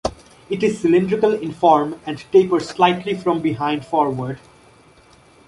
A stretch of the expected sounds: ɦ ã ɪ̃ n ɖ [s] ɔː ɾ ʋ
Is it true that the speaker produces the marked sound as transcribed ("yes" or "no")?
no